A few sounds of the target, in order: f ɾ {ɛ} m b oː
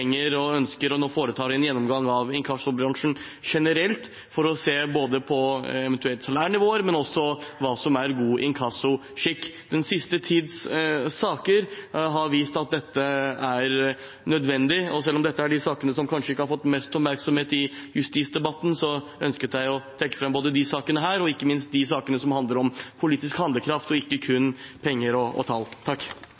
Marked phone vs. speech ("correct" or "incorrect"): correct